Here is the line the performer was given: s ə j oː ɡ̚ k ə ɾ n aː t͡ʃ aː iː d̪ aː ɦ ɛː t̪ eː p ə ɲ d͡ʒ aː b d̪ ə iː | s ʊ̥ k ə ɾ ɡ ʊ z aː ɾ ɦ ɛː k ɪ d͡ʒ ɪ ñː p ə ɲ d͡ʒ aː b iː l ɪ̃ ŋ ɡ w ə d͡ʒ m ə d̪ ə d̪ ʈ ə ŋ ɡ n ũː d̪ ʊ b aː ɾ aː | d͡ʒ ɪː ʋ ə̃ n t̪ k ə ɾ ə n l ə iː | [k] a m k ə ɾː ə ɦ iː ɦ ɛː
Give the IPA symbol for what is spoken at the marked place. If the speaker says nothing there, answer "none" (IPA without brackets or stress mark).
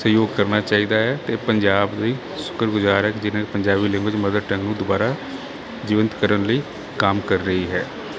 k